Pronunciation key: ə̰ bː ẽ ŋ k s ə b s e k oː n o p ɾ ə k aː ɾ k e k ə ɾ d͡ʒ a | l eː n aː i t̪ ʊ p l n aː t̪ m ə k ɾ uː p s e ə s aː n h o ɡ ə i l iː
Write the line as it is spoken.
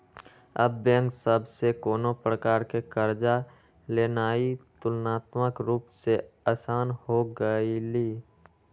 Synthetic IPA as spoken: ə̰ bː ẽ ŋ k s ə b s e k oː n o p ɾ ə k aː ɾ k e k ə ɾ d͡ʒ a | l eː n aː i t̪ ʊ l n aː t̪ m ə k ɾ uː p s e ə s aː n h o ɡ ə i l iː